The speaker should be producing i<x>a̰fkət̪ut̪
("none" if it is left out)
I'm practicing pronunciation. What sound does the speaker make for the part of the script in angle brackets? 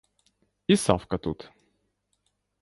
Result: s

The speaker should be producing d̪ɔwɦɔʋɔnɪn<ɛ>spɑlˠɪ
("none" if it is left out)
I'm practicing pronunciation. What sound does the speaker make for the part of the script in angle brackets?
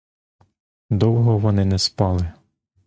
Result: ɛ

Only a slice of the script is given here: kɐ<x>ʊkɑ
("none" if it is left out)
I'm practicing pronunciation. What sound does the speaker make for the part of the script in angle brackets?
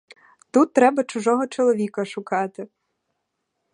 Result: ʃ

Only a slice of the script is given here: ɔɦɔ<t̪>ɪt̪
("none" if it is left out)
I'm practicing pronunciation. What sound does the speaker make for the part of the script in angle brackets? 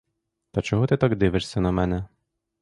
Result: t̪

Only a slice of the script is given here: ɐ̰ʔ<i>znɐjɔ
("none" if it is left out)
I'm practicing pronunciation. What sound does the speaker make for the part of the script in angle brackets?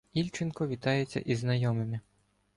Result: i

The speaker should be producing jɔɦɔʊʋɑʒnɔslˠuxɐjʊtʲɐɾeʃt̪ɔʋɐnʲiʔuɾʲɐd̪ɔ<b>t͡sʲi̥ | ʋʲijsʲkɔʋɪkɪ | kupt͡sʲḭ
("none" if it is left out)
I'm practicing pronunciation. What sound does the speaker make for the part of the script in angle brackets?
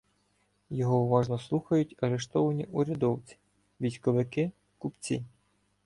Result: w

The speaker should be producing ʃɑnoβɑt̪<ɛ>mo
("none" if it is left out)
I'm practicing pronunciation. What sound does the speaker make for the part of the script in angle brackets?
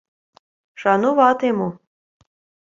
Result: e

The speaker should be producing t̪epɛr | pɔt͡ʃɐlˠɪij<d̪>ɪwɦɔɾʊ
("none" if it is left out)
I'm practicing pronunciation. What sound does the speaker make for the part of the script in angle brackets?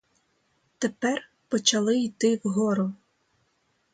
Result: t̪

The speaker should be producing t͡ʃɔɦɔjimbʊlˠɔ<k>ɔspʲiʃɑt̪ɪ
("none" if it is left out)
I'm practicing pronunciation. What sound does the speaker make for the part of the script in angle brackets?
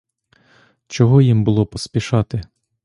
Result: p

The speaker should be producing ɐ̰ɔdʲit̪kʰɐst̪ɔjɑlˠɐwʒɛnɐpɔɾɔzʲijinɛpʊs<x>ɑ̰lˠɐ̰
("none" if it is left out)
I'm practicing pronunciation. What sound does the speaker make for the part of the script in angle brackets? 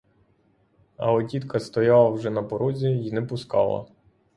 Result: k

